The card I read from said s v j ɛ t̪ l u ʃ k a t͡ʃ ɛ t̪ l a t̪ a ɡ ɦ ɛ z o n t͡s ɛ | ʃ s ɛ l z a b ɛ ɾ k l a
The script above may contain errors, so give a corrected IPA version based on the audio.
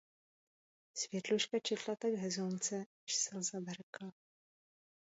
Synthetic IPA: s v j ɛ t̪ l u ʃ k a t͡ʃ ɛ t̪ l a t̪ a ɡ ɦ ɛ z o n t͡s ɛ | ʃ s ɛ l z a b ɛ ɾ k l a